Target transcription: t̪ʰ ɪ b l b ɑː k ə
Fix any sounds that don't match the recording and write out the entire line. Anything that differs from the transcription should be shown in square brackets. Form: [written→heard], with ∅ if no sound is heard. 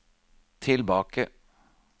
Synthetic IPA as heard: t̪ʰ ɪ [b→∅] l b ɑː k ə